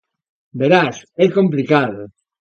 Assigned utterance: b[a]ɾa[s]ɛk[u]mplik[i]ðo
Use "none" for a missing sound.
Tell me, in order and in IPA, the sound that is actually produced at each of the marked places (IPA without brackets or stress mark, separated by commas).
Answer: e, s, o, a